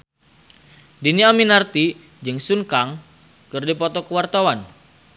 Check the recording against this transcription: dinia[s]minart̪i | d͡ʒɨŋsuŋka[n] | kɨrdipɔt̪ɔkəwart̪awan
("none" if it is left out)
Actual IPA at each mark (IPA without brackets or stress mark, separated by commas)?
none, ŋ